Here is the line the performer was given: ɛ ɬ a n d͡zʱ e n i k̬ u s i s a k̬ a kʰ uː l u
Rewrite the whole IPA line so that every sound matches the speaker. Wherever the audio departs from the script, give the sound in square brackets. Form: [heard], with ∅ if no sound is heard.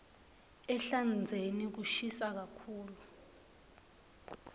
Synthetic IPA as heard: ɛ ɬ a n d͡zʱ e n i k̬ u [ʃ] i s a k̬ a kʰ uː l u